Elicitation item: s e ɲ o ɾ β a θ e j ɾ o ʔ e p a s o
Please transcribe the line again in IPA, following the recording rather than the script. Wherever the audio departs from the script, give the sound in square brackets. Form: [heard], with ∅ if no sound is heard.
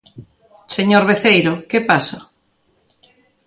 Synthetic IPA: s e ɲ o ɾ β [e] θ e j ɾ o [k] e p a s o